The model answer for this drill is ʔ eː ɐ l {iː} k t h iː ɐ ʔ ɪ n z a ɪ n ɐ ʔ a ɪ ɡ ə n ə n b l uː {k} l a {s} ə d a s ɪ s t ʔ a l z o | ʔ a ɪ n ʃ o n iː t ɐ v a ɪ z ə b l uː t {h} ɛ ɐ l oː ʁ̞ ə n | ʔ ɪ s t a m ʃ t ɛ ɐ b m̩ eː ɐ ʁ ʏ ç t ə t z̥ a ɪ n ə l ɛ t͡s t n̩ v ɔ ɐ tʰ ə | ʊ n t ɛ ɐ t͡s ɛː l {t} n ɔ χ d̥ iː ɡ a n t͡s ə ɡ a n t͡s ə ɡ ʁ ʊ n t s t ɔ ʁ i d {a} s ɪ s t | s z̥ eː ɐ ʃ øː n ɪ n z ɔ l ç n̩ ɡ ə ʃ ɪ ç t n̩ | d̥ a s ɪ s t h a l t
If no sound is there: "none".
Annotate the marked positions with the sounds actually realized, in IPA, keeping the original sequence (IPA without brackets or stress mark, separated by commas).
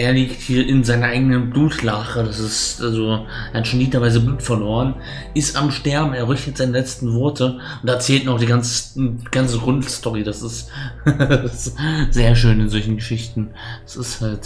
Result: iː, t, χ, f, t, a